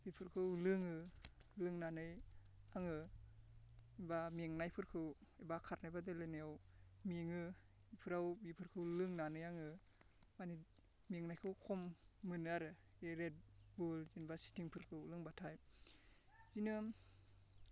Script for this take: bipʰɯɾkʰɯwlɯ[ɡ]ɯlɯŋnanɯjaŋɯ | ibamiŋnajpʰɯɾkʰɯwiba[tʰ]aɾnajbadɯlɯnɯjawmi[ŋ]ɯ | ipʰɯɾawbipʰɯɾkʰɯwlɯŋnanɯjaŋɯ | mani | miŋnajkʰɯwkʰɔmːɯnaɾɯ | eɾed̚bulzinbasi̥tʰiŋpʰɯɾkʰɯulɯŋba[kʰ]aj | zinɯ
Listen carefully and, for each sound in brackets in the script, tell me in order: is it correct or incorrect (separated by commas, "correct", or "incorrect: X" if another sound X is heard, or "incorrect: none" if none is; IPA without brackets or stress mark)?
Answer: incorrect: ŋ, incorrect: kʰ, correct, incorrect: tʰ